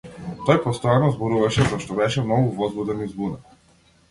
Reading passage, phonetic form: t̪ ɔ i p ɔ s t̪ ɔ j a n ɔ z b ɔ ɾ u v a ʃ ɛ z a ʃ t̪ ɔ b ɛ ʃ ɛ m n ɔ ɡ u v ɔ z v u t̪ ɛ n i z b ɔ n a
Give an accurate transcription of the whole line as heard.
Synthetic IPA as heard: t̪ ɔ j p ɔ s t̪ ɔ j a n ɔ z b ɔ ɾ u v a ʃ ɛ z a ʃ t̪ ɔ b ɛ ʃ ɛ m n ɔ ɡ u v ɔ z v u d̪ ɛ n i z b u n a